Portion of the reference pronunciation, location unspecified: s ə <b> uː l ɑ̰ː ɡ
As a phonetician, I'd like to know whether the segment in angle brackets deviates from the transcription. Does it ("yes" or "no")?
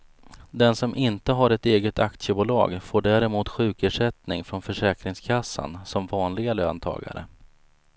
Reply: no